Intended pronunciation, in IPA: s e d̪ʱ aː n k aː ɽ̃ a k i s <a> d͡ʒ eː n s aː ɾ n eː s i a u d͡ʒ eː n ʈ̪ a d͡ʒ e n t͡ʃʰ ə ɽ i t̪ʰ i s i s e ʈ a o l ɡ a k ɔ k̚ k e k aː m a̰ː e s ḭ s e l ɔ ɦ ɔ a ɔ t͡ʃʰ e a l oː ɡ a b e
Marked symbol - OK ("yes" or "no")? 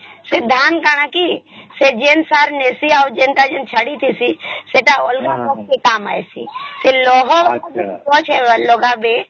no